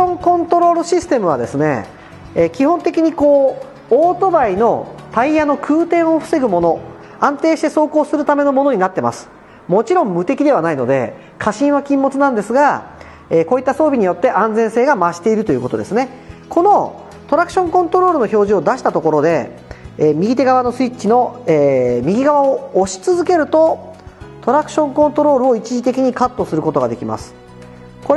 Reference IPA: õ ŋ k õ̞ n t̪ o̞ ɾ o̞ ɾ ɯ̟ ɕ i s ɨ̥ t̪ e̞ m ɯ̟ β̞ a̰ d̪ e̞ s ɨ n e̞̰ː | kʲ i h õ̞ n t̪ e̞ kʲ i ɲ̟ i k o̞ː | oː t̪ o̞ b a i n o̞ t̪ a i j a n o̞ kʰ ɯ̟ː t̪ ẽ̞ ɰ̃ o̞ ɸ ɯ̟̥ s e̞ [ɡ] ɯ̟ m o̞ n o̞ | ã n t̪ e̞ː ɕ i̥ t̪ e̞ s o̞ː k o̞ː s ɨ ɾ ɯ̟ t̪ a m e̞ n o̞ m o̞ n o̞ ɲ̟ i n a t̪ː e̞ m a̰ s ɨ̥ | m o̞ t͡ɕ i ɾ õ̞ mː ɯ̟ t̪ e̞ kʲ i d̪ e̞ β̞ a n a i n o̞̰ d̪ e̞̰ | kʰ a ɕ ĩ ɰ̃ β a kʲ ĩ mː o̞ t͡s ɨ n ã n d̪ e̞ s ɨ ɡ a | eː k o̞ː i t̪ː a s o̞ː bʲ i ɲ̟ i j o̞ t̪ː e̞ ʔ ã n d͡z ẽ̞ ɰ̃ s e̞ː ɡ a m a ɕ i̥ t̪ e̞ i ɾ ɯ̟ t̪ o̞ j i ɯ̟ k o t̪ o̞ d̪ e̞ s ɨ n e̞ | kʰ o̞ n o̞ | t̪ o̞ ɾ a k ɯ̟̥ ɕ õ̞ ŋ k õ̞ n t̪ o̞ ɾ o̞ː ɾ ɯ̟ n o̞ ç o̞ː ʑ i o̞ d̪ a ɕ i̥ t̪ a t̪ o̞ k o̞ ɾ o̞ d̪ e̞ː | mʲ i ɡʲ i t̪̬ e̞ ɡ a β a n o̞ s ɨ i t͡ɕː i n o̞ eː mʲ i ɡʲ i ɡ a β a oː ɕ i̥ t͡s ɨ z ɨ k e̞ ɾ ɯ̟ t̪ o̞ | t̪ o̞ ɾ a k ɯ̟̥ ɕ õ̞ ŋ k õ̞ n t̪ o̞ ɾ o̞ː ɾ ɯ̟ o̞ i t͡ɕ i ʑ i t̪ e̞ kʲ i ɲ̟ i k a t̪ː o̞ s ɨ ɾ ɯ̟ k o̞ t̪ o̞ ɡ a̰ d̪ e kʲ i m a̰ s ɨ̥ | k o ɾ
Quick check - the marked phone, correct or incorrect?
correct